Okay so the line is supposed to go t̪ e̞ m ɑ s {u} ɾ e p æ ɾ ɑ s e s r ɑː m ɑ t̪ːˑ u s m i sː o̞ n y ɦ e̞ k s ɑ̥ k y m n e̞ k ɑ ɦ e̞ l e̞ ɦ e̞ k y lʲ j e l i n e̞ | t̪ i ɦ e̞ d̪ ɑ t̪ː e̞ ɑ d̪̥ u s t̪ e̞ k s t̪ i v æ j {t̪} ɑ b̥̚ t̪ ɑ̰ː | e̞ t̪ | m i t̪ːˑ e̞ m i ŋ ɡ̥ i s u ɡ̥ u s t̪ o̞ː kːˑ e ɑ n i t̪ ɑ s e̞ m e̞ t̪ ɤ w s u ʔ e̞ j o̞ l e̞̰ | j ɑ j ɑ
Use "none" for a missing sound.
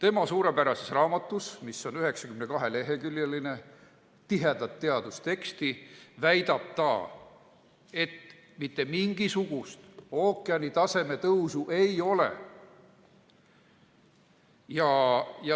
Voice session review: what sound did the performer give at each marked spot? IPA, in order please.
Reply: uː, d̪

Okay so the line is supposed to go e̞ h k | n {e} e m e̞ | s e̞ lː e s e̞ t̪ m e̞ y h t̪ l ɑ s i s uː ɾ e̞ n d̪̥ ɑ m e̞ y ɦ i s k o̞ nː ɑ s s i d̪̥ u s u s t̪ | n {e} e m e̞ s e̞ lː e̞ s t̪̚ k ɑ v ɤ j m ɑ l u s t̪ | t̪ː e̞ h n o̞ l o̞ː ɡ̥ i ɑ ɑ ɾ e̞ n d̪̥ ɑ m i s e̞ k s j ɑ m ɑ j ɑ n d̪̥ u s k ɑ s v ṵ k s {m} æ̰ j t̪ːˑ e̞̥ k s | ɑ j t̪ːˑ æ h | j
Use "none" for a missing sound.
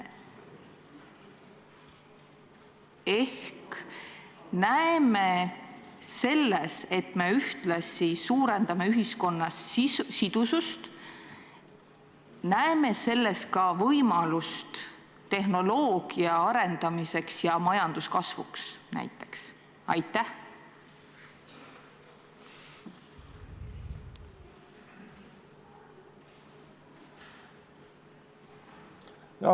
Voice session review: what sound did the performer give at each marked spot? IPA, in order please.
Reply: æ, æ, n

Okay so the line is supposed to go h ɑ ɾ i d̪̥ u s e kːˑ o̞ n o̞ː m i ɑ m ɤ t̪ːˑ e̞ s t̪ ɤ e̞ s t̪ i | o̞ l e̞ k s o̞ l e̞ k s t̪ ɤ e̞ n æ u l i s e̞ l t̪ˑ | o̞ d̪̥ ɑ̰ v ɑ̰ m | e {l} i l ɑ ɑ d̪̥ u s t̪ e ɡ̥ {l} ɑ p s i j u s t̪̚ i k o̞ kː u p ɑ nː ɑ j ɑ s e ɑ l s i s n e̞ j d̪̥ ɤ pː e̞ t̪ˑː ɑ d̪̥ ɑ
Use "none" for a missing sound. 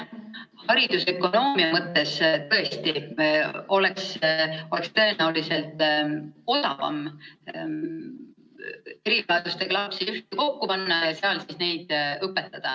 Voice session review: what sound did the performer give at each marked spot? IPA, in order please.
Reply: ɾ, l

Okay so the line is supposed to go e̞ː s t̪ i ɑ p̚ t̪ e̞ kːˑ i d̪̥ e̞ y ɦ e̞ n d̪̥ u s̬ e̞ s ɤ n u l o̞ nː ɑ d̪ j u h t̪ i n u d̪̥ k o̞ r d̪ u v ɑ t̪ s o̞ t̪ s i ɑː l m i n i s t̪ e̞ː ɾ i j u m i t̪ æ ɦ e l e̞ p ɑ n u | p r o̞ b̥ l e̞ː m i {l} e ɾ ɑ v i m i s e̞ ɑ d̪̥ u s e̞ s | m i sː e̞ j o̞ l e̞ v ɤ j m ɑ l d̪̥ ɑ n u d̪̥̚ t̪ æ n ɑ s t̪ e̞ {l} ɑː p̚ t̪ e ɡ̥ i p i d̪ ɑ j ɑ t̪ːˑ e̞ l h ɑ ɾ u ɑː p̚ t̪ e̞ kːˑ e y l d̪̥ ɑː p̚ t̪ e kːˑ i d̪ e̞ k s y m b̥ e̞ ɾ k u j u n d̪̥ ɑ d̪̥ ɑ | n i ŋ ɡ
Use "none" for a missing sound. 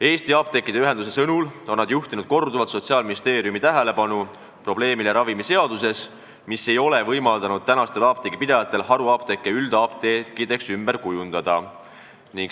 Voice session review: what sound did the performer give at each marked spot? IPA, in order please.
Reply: l, l

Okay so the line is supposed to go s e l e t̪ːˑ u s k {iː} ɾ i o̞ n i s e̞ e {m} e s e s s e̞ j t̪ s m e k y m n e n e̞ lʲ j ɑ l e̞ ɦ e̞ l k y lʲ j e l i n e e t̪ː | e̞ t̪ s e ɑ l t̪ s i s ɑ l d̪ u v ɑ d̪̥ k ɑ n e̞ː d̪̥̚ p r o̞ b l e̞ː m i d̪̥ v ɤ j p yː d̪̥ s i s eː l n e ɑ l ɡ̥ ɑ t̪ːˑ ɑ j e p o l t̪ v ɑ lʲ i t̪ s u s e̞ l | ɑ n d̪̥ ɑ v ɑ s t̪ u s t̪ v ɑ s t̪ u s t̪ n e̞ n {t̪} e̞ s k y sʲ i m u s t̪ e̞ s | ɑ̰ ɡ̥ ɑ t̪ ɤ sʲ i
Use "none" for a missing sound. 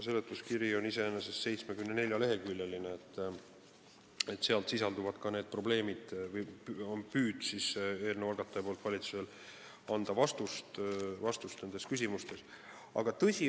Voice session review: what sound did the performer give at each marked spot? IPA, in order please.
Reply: i, n, d̪

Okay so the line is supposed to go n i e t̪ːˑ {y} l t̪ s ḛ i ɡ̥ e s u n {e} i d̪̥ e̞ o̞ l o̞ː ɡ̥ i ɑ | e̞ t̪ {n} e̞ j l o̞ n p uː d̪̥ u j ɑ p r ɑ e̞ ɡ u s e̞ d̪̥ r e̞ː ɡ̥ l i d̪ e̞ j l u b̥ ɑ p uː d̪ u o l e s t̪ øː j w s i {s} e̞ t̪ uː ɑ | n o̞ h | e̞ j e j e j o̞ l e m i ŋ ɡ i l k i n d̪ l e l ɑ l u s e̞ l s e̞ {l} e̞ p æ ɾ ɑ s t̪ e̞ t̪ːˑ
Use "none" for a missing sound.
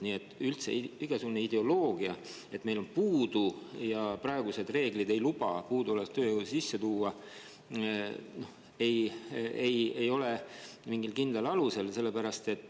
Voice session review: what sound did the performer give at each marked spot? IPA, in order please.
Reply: y, e, m, sː, lː

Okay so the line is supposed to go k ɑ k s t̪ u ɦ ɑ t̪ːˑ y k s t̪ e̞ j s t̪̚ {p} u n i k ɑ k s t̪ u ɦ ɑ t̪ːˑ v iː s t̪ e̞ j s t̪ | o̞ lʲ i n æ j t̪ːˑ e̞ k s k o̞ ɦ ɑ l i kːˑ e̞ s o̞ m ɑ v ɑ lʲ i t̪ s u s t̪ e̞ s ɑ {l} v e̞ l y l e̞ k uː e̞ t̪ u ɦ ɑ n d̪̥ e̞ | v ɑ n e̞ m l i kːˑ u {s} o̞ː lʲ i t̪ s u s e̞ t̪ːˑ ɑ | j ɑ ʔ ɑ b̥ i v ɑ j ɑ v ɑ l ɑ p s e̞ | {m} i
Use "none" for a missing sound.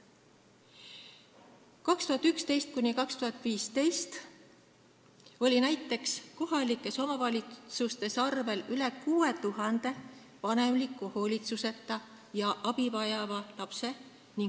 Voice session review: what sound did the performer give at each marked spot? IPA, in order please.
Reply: k, r, h, n

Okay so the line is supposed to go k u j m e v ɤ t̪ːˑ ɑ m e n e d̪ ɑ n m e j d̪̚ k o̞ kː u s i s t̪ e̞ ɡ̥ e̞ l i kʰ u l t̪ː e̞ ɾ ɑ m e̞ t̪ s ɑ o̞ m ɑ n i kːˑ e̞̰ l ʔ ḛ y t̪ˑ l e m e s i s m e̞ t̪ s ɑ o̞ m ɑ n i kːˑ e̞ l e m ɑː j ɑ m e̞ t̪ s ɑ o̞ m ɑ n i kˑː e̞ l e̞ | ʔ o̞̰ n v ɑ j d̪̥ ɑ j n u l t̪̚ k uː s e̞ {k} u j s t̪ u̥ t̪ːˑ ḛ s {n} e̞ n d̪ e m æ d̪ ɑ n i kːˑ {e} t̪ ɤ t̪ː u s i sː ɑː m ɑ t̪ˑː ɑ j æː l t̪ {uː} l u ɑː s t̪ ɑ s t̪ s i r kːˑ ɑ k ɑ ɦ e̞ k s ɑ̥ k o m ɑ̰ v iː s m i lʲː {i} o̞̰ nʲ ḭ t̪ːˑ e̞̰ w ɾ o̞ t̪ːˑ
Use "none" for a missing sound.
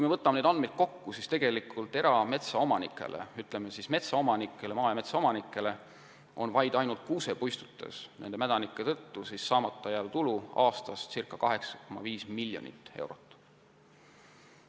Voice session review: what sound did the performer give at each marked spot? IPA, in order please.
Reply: p, n, e, u, j

